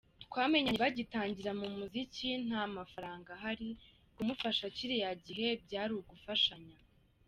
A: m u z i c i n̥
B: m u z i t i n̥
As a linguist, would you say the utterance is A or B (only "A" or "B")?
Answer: A